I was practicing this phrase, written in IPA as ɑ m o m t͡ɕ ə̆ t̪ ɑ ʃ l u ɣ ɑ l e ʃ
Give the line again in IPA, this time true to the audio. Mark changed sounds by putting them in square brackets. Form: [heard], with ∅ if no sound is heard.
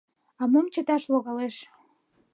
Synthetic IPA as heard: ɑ m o m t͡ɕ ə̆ t̪ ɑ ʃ l [o] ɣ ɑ l e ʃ